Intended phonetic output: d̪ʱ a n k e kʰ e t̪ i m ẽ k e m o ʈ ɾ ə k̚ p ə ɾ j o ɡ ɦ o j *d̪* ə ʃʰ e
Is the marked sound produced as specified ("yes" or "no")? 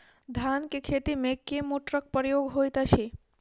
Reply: no